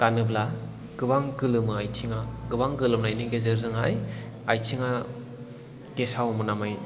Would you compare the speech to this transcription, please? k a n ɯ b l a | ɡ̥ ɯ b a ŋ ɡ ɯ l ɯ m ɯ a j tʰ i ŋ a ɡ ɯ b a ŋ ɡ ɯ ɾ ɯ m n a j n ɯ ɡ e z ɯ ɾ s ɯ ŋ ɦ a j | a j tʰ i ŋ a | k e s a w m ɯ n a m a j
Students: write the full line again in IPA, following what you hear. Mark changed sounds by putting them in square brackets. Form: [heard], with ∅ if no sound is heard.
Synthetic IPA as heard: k a n ɯ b l a | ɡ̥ ɯ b a ŋ ɡ ɯ l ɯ m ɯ a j tʰ i ŋ a ɡ ɯ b a ŋ ɡ ɯ [l] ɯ m n a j n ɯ ɡ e z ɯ ɾ [z] ɯ ŋ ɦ a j | a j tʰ i ŋ a | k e s a w m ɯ n a m a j